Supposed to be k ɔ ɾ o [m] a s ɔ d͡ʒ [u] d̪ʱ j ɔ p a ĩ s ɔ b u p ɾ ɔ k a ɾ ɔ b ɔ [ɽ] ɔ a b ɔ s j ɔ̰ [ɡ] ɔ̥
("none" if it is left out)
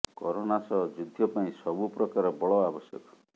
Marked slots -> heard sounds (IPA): n, u, ɭ, k

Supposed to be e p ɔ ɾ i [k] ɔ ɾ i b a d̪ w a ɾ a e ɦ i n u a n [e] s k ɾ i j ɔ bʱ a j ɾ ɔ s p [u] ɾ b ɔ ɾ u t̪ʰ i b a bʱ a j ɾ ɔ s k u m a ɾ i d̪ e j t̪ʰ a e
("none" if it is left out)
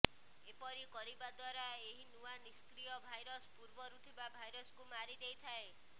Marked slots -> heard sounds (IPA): k, i, u

